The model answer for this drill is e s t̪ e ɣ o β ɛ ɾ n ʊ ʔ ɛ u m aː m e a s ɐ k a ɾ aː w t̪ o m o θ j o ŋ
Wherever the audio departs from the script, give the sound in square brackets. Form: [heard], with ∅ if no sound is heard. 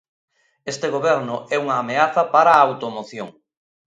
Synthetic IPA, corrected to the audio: e s t̪ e ɣ o β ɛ ɾ n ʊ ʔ ɛ u [ŋ] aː m e a [θ] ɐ [p] a ɾ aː w t̪ o m o θ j o ŋ